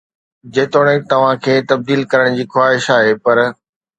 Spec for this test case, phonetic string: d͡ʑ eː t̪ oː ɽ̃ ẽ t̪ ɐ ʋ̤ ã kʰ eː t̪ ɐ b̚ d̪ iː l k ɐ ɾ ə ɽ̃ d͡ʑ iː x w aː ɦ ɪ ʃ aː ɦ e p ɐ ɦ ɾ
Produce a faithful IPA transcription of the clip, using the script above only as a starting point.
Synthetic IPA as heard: d͡ʑ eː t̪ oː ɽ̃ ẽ t̪ ɐ ʋ̤ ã kʰ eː t̪ ɐ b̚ d̪ iː l k ɐ ɾ ə ɽ̃ d͡ʑ iː x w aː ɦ ɪ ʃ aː ɦ e p ɐ ɾ